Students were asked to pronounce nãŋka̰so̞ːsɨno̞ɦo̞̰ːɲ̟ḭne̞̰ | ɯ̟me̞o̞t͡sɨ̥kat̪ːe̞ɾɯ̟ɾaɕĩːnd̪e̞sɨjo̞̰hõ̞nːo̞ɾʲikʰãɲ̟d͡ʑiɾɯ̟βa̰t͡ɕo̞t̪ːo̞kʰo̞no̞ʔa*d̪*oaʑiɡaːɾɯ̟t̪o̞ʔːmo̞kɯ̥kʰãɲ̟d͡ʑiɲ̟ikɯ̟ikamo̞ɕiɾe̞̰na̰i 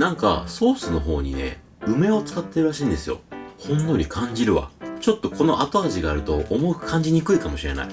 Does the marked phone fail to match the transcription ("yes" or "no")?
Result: yes